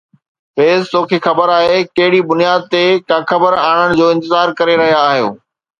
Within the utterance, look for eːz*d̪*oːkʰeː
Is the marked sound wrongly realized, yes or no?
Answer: yes